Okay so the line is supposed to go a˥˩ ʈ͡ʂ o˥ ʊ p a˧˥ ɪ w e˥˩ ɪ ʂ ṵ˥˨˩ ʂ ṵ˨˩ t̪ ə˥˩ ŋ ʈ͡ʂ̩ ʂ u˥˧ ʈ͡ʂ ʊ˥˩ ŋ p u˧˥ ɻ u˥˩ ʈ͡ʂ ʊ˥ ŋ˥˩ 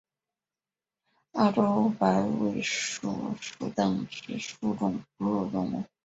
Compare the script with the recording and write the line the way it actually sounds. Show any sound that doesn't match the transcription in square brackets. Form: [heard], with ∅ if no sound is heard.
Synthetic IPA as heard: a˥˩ ʈ͡ʂ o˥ ʊ p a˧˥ ɪ w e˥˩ ɪ ʂ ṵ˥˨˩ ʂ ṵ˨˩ t̪ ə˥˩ ŋ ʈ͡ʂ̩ ʂ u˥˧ ʈ͡ʂ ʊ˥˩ ŋ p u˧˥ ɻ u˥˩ ʈ͡ʂ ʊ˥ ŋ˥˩